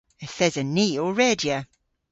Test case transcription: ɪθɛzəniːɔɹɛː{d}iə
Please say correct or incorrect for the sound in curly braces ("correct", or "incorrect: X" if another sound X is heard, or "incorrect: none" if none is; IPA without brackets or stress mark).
correct